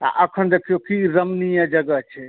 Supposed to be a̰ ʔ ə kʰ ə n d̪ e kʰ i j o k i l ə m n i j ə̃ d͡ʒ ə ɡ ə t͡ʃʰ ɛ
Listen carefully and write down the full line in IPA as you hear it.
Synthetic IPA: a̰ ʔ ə kʰ ə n d̪ e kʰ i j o k i ɾ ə m n i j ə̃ d͡ʒ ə ɡ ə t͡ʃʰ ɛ